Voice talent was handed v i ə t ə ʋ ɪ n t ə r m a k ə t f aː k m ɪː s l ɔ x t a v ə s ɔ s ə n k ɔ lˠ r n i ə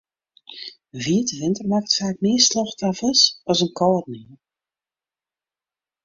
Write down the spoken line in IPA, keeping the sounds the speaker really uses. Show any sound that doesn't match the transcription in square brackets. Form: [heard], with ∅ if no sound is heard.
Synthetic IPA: v i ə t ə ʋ ɪ n t ə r m a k ə t f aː k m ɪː s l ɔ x t a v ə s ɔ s ə n k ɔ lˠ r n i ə